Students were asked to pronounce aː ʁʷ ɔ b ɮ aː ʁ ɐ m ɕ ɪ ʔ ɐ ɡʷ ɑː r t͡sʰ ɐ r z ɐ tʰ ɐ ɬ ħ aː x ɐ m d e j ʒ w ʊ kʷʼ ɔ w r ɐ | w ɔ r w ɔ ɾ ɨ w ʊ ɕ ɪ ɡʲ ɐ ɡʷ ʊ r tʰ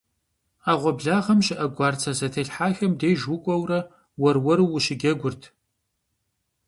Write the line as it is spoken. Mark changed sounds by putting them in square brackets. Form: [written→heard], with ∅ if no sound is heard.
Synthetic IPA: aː ʁʷ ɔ b ɮ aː ʁ ɐ m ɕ ɪ ʔ ɐ ɡʷ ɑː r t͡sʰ ɐ [r→∅] z ɐ tʰ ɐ ɬ ħ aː x ɐ m d e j ʒ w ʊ kʷʼ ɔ w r ɐ | w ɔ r w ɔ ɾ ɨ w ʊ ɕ ɪ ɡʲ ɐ ɡʷ ʊ r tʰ